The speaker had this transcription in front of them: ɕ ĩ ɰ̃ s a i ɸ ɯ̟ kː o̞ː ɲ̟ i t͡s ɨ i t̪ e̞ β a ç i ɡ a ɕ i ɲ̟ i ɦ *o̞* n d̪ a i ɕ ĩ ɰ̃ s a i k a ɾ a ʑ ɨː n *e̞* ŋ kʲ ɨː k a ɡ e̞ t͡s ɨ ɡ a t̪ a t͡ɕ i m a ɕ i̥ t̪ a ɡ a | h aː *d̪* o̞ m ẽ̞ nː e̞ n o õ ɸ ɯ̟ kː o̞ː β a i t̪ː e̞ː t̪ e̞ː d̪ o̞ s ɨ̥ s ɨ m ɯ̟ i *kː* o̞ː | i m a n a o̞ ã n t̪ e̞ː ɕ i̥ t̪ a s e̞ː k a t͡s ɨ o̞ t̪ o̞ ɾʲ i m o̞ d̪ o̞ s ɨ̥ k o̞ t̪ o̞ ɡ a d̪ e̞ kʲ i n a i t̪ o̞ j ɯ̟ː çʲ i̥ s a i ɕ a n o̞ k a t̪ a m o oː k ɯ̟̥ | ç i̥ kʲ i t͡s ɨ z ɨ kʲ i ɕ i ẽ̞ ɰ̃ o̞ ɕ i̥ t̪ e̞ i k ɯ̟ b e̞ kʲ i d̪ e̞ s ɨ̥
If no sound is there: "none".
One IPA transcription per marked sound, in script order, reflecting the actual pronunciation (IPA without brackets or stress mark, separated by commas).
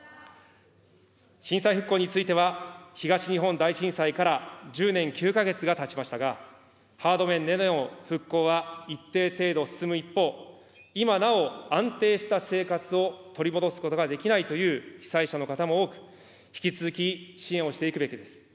õ̞, ẽ̞, d̪, pː